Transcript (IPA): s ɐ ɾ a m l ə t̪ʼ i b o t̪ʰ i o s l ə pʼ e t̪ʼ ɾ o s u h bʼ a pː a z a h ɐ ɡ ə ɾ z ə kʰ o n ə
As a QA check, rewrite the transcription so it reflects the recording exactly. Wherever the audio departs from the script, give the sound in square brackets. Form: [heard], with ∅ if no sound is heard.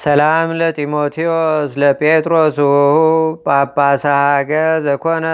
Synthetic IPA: s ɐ [l] a m l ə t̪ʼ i [m] o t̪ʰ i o s l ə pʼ e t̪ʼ ɾ o s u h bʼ a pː a [s] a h [a] ɡ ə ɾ z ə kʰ o n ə